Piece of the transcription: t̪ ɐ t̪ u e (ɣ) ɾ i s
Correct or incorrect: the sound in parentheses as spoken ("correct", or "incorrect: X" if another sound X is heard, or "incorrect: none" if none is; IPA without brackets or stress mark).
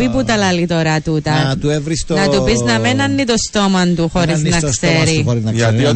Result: incorrect: v